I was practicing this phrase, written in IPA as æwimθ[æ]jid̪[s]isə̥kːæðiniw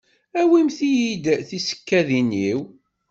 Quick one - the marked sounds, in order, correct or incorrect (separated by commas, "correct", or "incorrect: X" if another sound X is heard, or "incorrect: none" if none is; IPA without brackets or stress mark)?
incorrect: i, incorrect: θ